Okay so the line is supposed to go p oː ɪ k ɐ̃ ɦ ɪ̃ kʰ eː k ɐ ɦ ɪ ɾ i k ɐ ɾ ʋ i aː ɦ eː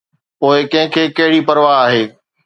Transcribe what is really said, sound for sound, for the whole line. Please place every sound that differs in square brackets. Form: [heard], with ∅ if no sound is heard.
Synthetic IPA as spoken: p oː ɪ k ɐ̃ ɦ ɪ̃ kʰ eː k ɐ ɦ ɪ [ɽ] i [p] ɐ ɾ ʋ [a] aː ɦ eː